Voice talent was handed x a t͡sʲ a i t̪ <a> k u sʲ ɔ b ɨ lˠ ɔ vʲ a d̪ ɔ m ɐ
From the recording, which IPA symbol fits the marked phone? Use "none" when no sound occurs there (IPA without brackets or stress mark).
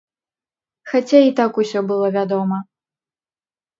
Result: a